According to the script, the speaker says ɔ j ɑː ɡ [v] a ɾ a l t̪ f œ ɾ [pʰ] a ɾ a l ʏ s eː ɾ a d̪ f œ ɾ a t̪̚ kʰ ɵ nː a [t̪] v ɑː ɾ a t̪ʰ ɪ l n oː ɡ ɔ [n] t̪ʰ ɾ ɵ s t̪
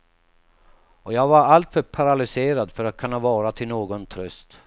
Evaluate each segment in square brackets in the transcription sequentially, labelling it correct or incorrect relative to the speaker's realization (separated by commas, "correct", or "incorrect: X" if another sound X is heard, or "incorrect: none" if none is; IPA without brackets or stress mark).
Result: correct, correct, incorrect: none, correct